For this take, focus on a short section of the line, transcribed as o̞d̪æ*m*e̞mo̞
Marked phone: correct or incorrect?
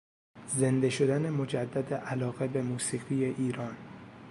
incorrect